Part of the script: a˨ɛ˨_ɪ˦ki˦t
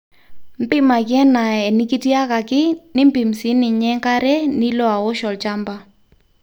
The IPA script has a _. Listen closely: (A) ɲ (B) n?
B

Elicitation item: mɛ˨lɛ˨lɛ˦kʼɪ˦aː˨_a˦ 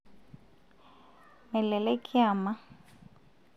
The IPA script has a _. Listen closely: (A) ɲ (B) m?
B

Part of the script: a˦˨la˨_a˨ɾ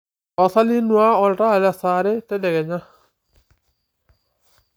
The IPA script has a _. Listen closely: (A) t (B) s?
B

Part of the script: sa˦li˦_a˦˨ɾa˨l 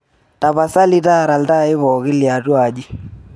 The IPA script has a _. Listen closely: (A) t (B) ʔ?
A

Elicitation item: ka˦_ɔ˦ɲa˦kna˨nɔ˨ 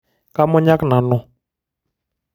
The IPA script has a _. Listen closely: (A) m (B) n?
A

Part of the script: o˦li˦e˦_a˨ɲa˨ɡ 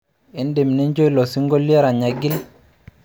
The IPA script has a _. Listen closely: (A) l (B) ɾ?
B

